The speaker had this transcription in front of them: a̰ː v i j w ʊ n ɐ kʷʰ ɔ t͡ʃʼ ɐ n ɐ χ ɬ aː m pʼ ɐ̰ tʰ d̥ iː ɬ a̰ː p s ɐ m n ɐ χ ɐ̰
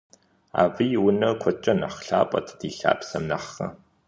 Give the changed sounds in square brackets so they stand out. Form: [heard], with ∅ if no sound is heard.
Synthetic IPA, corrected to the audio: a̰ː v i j w ʊ n ɐ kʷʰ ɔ t͡ʃʼ ɐ n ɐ χ ɬ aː [∅] pʼ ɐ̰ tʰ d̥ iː ɬ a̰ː p s ɐ m n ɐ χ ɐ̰